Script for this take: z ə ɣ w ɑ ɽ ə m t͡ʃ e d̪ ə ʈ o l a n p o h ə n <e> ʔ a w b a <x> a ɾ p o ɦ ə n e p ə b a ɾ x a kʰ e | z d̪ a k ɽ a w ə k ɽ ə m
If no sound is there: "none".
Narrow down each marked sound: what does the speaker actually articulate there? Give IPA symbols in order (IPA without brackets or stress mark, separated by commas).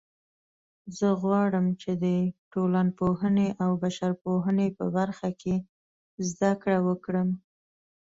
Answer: e, ʃ